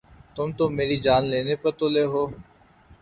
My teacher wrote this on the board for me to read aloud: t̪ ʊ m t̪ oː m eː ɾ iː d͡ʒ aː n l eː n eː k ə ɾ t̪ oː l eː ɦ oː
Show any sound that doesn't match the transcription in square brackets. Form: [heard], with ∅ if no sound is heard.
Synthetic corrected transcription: t̪ ʊ m t̪ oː m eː ɾ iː d͡ʒ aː n l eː n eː [p] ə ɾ t̪ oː l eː ɦ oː